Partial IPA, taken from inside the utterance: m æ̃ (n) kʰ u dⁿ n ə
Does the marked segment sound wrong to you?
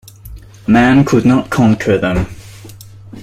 no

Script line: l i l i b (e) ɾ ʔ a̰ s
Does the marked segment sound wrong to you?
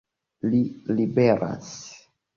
no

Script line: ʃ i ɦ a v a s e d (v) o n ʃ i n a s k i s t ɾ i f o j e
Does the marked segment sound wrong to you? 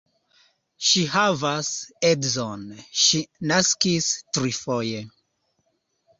yes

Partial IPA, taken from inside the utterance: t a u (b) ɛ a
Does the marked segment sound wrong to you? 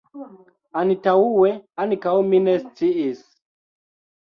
yes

